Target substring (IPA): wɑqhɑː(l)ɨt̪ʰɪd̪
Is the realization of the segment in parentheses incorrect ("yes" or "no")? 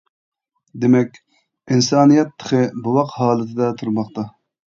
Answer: no